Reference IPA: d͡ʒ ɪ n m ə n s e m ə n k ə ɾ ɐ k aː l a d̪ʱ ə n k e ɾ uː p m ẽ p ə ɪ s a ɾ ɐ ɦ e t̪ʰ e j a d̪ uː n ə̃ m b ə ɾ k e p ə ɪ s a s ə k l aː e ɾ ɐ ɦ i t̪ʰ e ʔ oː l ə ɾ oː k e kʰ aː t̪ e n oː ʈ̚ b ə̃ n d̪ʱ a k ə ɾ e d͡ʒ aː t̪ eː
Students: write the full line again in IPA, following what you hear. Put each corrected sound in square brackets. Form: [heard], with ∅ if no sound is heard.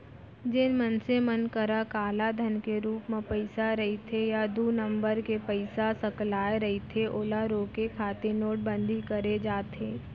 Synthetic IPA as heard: d͡ʒ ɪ n m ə n s e m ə n k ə ɾ [a] k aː l a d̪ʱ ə n k e ɾ uː p m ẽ p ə ɪ s a ɾ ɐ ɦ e t̪ʰ e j a d̪ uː n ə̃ m b ə ɾ k e p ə ɪ s a s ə k l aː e ɾ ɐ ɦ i t̪ʰ e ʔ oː l [a] ɾ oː k e kʰ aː t̪ e n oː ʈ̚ b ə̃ n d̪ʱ [i] k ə ɾ e d͡ʒ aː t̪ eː